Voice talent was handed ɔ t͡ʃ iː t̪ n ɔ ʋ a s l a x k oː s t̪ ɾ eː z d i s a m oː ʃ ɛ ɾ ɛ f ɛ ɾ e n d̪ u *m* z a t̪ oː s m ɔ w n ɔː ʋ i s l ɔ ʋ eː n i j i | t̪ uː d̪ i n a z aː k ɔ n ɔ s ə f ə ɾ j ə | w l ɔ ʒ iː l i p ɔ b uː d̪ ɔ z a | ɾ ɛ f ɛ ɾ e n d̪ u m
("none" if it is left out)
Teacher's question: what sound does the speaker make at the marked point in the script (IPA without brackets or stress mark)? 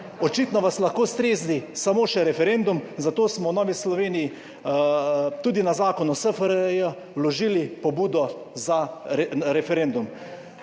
m